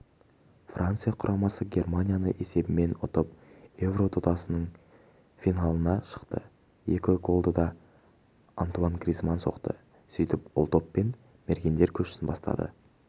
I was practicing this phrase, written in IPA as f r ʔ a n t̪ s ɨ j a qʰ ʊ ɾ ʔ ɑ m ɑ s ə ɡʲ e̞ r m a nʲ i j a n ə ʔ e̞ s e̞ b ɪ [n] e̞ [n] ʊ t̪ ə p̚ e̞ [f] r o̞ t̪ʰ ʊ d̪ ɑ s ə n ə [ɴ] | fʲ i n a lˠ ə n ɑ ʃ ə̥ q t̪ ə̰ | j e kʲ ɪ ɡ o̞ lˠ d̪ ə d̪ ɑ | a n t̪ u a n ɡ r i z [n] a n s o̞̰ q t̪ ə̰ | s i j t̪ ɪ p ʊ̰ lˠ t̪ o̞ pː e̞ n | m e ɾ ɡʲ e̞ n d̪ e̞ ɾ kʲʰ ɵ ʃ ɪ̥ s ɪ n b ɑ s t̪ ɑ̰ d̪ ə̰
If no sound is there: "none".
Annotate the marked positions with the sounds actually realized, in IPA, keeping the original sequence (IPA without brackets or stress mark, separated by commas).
m, n, v, ɴ, m